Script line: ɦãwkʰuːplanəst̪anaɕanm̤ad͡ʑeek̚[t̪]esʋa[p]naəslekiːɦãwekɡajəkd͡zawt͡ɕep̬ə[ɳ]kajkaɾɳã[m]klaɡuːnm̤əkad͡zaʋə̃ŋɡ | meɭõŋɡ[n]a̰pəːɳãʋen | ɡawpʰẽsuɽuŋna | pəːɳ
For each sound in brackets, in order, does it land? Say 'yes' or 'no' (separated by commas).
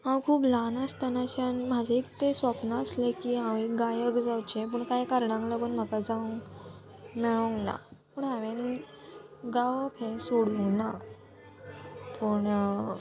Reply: yes, yes, yes, no, yes